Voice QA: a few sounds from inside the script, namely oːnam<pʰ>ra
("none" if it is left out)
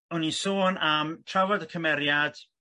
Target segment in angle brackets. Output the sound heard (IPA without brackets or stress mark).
tʰ